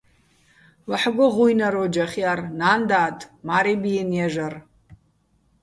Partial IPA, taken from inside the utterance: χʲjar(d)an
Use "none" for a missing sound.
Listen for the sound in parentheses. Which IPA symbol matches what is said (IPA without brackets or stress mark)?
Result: n